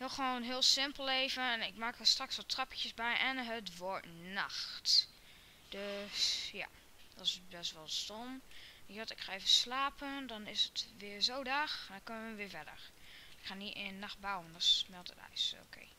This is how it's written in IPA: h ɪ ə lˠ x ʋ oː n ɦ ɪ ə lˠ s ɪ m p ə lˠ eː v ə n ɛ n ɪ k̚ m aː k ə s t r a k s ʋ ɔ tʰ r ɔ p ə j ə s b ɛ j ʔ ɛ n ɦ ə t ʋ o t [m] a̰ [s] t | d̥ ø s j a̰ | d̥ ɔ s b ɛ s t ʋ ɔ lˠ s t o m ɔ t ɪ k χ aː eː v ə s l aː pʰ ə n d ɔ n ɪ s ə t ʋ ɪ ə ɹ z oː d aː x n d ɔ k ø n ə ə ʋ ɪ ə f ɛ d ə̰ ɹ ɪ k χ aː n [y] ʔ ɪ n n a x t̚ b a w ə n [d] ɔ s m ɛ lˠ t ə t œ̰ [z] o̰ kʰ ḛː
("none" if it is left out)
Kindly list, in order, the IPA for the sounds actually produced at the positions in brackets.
n, x, i, d, s

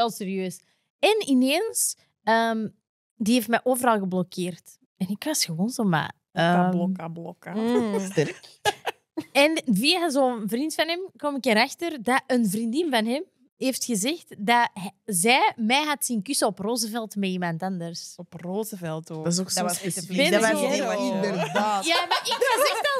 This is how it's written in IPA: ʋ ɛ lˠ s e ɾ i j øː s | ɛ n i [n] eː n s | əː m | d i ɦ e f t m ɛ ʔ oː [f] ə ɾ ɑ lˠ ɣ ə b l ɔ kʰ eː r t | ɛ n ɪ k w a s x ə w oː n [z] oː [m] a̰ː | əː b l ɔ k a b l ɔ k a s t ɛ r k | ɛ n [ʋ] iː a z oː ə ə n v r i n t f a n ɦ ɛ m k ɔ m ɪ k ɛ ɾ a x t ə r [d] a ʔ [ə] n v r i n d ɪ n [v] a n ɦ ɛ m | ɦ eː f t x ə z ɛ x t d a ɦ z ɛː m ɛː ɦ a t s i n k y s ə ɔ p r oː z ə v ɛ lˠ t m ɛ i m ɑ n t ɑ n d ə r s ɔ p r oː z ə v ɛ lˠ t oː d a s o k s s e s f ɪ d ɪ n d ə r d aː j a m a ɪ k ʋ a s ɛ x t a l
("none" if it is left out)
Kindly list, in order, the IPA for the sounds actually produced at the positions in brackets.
n, v, z, m, v, d, ə, v

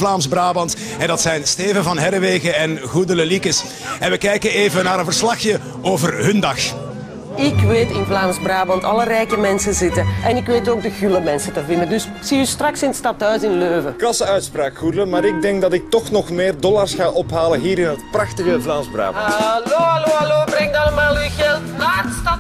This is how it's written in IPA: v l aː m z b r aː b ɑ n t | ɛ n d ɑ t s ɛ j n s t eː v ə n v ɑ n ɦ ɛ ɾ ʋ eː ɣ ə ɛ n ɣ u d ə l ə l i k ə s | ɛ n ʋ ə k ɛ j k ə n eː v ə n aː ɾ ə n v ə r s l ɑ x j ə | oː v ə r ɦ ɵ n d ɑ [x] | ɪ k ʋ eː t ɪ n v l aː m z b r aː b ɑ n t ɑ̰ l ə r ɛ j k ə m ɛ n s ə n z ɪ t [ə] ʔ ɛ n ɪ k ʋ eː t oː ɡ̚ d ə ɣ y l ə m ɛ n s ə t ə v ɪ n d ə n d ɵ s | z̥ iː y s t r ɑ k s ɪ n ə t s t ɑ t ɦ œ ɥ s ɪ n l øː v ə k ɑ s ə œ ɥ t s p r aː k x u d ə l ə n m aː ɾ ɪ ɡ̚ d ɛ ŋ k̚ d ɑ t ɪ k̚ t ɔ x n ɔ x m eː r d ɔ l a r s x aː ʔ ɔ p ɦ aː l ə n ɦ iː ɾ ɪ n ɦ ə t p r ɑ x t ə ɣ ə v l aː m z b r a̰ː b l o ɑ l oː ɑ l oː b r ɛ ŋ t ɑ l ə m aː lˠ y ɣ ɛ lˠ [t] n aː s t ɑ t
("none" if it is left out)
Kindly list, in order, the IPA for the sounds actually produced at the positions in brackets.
x, ə, t

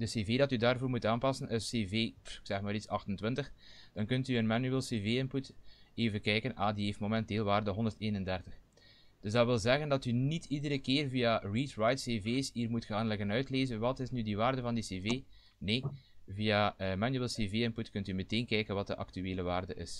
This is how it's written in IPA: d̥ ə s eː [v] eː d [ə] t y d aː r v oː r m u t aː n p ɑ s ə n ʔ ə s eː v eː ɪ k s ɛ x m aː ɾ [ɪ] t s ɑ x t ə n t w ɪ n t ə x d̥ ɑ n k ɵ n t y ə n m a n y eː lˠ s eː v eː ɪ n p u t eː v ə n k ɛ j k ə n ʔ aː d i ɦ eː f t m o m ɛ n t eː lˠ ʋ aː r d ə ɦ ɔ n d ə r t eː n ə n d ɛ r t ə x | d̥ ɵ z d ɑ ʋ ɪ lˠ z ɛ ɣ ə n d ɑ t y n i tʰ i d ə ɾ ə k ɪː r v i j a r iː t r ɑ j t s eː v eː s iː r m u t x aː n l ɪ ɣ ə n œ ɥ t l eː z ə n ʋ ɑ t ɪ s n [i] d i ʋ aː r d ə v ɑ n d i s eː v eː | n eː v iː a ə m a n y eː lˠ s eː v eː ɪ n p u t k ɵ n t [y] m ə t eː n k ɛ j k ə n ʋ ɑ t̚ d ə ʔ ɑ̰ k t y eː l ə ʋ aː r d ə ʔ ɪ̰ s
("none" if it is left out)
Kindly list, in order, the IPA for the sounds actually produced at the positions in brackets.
v, ɑ, i, y, y

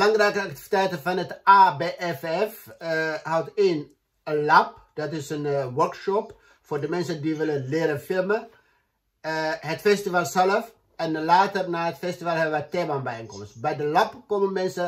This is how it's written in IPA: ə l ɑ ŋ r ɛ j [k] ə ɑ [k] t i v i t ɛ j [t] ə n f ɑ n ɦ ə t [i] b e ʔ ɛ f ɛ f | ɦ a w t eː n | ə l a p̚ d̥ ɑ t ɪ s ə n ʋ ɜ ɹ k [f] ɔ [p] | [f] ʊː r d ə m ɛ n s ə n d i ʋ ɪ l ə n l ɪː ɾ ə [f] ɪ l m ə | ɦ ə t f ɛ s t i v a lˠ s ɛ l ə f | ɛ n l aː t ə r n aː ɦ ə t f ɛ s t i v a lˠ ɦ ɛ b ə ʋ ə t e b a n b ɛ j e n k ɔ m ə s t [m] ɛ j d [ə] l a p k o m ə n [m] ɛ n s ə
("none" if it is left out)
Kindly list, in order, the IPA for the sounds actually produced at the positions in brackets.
k, k, t, a, ʃ, p, f, f, b, ə, m

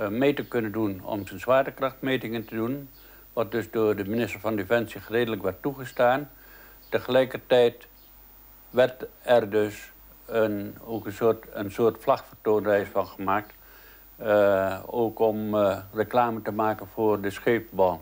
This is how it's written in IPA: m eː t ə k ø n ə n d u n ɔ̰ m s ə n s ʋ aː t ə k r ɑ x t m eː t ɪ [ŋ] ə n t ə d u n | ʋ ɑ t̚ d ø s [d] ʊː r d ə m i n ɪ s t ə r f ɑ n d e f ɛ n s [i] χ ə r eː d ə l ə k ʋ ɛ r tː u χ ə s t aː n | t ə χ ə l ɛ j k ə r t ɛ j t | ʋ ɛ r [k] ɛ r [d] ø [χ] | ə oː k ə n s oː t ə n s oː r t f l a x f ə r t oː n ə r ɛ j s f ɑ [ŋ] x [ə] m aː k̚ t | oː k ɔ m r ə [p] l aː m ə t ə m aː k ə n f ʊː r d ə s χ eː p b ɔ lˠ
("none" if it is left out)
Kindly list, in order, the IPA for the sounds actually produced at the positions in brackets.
ŋ, d, i, t, d, s, n, ə, k

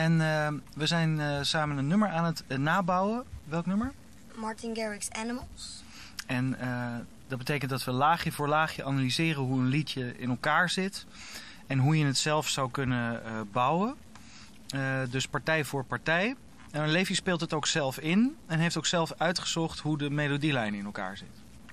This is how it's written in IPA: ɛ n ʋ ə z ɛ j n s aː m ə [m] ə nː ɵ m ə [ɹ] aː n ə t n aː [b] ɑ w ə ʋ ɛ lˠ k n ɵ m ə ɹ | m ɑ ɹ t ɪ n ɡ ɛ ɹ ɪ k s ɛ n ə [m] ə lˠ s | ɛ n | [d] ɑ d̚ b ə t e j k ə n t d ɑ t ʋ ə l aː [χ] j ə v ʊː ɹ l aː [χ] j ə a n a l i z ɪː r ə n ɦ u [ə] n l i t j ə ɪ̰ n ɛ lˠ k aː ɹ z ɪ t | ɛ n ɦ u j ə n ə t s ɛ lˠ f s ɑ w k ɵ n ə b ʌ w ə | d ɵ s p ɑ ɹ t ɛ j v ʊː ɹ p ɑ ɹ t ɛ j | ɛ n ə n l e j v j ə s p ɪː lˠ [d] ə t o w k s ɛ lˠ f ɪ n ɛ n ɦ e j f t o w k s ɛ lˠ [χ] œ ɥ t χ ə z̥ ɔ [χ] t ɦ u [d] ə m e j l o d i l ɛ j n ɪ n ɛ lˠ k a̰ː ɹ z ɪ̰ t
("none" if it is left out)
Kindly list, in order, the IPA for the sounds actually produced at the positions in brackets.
n, ɹ, b, m, d, χ, χ, ə, t, f, χ, d

